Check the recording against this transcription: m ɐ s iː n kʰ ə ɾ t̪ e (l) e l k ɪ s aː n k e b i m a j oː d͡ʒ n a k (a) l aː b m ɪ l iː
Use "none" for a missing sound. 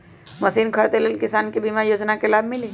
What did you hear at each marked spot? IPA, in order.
l, e

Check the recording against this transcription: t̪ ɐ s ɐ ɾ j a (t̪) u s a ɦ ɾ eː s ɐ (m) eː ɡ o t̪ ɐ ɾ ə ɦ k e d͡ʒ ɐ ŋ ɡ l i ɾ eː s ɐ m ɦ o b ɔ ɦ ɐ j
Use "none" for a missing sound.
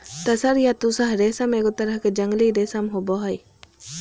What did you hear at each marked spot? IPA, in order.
t̪, m

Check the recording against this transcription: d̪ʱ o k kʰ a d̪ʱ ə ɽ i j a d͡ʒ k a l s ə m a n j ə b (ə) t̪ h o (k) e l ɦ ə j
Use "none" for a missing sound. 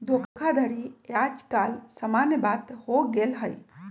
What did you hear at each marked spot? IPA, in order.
a, ɡ

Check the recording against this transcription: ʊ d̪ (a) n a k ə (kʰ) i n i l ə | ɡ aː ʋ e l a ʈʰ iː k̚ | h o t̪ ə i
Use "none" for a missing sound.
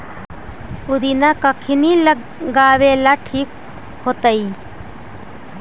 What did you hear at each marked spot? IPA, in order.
i, kʰ

